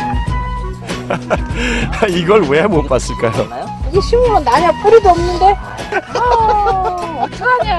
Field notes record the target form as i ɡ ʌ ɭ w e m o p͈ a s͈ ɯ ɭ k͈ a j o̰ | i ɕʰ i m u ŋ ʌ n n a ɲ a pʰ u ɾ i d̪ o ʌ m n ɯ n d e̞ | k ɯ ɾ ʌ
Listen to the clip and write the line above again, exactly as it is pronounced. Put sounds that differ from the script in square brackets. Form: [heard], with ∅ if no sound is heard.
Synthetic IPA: i ɡ ʌ ɭ w e m o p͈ a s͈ ɯ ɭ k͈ a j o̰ | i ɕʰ i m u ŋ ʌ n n a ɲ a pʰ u ɾ i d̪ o ʌ m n ɯ n d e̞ | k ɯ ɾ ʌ